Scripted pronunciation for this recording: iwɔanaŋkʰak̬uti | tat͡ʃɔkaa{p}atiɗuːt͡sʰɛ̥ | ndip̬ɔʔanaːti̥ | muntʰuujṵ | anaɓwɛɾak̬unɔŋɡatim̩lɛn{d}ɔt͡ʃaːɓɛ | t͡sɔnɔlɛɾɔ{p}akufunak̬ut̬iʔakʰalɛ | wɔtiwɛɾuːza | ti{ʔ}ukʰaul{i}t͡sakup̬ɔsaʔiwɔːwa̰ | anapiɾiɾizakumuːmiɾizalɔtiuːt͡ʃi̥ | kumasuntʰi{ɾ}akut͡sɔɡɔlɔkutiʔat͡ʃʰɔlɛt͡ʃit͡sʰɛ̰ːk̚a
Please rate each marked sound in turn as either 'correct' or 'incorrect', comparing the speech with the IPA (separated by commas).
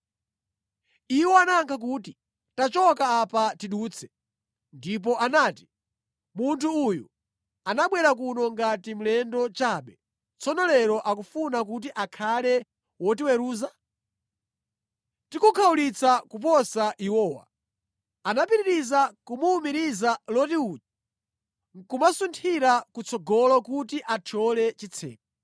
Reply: correct, correct, incorrect, incorrect, correct, correct